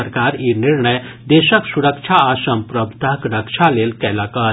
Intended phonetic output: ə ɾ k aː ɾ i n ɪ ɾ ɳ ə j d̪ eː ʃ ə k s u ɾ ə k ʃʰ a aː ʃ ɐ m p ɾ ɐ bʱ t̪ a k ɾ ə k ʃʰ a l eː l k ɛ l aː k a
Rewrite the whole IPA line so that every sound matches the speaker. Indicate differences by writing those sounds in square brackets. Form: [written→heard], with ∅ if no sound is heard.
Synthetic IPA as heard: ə ɾ k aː ɾ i n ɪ ɾ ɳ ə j d̪ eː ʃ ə k s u ɾ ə k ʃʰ a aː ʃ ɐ m p ɾ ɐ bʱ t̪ a k ɾ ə k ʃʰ a l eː l k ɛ l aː k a